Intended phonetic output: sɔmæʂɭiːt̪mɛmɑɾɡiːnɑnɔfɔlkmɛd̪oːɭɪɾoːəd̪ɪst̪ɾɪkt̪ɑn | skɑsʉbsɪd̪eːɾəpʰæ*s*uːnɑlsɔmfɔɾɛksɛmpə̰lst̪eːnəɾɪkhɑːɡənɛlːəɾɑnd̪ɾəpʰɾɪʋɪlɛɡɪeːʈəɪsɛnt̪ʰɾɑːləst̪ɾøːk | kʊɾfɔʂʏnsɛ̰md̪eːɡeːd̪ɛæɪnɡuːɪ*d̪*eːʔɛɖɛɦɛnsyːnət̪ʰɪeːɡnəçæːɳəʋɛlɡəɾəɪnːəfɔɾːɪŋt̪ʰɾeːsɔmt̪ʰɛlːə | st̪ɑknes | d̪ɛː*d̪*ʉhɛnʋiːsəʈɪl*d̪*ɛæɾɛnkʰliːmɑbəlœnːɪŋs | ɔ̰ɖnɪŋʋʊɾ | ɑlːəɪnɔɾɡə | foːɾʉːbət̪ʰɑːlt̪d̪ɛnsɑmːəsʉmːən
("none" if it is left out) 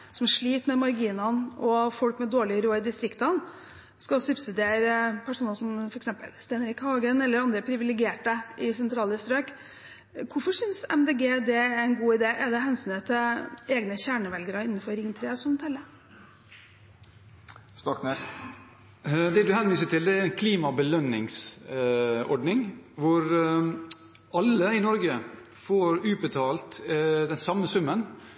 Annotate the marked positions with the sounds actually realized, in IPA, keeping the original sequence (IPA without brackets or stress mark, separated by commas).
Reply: ʂ, d̪, d̪, d̪